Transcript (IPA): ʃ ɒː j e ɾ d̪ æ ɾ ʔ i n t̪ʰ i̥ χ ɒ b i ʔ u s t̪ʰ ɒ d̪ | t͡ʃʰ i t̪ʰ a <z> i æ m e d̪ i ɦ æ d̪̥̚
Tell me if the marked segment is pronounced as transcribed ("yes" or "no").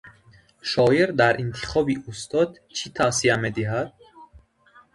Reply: no